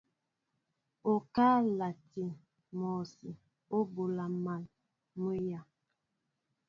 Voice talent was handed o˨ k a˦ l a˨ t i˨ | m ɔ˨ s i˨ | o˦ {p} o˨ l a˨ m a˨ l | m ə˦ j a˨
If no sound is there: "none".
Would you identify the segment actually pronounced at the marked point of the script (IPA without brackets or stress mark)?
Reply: b